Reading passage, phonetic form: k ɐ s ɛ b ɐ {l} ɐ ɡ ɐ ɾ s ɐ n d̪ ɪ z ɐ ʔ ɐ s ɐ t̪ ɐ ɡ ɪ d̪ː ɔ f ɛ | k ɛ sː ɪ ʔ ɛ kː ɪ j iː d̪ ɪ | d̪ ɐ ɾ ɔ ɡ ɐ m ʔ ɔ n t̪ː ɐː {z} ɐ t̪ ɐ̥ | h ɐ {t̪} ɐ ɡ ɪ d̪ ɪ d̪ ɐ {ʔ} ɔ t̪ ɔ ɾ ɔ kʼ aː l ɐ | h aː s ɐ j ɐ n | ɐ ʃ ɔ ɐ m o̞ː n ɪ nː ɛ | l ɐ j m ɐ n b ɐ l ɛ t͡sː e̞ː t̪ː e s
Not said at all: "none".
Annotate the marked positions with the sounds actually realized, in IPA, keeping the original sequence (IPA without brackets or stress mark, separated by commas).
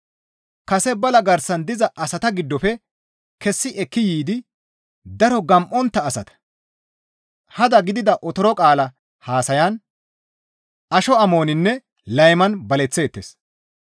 l, s, d̪, ʔ